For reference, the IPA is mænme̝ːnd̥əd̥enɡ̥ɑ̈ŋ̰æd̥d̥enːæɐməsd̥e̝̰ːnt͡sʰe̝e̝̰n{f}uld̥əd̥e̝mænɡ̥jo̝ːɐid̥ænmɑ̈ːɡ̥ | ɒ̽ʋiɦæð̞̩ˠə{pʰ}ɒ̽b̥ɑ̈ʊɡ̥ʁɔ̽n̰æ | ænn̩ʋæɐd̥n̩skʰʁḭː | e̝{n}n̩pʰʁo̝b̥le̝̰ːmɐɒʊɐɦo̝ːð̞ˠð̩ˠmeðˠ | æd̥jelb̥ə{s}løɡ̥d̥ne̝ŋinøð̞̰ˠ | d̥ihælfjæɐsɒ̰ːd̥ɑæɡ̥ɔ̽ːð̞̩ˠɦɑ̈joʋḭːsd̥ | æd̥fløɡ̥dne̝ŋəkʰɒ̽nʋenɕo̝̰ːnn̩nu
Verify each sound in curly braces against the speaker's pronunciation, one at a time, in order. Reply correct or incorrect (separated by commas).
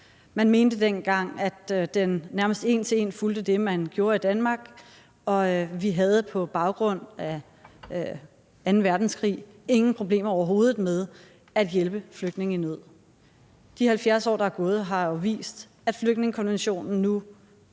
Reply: correct, correct, incorrect, incorrect